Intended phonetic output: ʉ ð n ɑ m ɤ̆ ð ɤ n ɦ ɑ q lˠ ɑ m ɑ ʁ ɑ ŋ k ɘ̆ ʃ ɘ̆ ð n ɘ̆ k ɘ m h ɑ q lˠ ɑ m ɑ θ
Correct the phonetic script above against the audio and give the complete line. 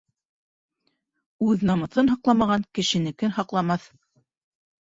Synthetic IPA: ʉ ð n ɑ m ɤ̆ θ ɤ n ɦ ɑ q lˠ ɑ m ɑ ʁ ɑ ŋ k ɘ̆ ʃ ɘ̆ n ɘ̆ k ɘ n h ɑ q lˠ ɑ m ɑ θ